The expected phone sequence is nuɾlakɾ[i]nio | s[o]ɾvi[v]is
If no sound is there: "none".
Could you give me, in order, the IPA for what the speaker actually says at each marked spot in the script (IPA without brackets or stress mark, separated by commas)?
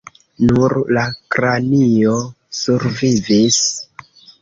a, u, v